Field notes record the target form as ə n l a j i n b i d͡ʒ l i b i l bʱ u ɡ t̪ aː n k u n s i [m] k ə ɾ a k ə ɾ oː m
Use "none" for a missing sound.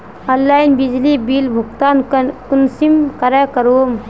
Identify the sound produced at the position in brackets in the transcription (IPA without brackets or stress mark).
m